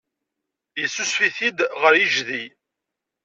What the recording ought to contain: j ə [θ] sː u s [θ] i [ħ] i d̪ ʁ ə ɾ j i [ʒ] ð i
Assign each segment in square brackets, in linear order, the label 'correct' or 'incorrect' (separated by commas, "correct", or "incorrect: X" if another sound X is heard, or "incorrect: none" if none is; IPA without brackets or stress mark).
incorrect: none, incorrect: f, incorrect: θ, correct